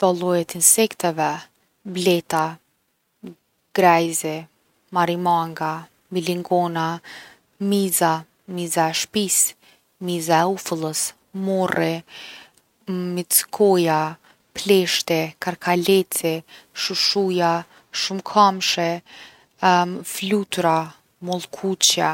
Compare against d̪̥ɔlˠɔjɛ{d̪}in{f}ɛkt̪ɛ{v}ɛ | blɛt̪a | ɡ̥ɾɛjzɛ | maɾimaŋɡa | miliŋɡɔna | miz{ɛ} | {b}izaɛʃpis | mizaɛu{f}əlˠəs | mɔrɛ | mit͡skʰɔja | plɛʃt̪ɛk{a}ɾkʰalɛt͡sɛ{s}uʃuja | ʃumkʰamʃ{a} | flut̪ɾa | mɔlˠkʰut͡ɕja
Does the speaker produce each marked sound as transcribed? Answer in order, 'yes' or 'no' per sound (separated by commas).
no, no, yes, no, no, yes, yes, no, no